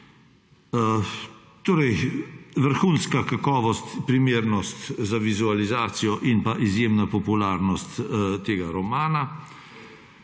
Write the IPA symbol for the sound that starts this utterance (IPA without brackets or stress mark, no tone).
t̪